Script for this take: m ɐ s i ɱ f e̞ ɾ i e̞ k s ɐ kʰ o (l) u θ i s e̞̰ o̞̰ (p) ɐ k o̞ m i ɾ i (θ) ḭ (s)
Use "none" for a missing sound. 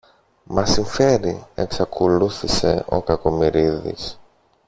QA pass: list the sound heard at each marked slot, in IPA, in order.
l, k, ð, s

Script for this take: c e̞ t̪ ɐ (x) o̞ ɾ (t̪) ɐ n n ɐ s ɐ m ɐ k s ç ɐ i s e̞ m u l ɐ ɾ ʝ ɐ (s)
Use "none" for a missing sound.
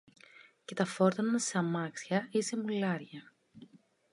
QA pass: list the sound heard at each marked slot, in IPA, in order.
f, t̪, none

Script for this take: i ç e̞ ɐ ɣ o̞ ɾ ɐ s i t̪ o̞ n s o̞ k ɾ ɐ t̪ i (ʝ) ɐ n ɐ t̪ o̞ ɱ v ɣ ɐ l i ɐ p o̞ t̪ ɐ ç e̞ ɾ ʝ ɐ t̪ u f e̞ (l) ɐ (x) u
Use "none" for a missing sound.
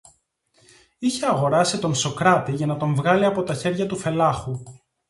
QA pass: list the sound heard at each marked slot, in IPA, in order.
ʝ, l, x

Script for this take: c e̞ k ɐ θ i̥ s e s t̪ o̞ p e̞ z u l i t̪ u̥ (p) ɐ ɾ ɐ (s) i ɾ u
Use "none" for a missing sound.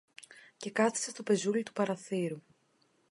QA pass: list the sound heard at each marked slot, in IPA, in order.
p, θ

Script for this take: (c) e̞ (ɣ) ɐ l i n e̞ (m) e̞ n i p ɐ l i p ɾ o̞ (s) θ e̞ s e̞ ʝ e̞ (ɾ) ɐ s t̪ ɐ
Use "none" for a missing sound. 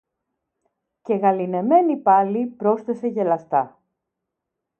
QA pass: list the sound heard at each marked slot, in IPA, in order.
c, ɣ, m, s, l

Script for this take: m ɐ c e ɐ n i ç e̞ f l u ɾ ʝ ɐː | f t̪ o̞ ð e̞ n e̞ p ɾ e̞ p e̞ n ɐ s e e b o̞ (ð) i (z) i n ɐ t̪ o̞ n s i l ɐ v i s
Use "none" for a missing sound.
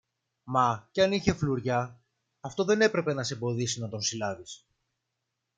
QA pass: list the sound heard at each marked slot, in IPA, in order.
ð, s

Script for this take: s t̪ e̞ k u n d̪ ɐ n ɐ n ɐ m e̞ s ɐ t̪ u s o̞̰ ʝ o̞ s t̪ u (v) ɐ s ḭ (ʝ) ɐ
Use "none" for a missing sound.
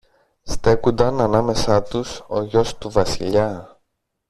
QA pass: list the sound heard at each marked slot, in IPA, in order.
v, ʎ

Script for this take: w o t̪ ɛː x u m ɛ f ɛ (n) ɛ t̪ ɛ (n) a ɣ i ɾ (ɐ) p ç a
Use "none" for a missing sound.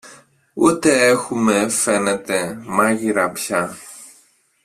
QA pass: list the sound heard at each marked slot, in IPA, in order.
n, m, a

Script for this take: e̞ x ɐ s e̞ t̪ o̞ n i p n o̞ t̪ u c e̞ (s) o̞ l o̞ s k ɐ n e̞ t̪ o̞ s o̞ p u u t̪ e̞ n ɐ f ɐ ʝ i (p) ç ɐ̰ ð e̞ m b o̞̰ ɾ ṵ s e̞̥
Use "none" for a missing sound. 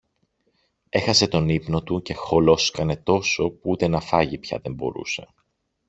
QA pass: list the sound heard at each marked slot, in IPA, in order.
x, p

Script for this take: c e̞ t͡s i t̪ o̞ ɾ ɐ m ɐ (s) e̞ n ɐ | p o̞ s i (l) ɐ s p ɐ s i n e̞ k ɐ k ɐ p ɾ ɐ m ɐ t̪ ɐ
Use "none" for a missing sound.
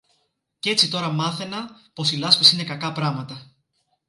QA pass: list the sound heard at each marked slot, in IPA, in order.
θ, l

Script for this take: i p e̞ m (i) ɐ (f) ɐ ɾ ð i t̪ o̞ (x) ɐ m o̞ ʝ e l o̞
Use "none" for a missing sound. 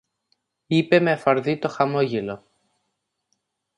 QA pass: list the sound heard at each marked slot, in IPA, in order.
e, f, x

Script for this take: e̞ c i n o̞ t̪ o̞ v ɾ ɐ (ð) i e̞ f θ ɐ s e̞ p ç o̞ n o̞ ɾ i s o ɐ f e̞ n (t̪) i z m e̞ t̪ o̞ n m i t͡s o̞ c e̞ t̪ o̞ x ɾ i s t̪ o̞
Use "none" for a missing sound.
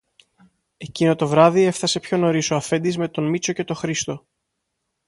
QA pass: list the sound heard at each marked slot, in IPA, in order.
ð, d̪

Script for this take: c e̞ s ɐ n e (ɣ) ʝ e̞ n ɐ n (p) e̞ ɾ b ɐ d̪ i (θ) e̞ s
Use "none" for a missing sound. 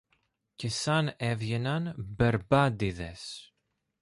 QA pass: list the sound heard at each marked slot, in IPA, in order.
v, b, ð

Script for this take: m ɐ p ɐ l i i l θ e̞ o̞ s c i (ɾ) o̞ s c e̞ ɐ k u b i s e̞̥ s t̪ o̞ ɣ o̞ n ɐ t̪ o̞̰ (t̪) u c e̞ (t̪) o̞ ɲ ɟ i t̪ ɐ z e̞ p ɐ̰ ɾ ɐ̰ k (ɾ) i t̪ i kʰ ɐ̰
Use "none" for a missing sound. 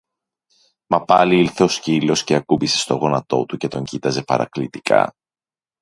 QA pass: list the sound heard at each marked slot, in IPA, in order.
l, t̪, t̪, l

